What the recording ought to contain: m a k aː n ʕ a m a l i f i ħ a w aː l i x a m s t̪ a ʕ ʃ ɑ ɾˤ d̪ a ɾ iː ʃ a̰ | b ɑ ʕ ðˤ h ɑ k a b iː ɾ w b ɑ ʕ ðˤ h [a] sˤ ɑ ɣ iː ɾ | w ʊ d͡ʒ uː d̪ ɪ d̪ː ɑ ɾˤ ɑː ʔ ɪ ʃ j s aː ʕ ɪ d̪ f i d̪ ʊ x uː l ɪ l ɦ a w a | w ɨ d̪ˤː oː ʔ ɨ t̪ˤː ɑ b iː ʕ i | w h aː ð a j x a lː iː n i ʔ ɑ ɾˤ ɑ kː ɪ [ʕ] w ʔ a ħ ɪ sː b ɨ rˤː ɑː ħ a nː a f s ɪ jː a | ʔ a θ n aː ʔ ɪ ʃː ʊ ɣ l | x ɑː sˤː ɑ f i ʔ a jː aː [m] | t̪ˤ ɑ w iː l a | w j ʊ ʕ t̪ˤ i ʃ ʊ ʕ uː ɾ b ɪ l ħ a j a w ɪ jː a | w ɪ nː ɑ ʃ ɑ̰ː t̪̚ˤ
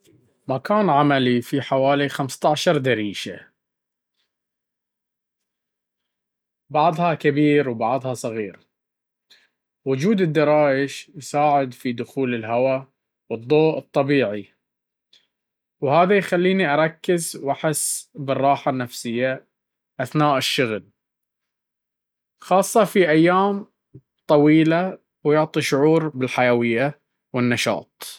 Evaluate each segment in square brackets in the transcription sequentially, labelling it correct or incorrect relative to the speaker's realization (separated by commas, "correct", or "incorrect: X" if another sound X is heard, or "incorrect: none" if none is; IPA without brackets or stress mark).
incorrect: ɑ, incorrect: z, correct